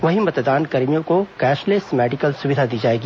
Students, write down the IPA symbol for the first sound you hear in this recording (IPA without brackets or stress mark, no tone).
ʋ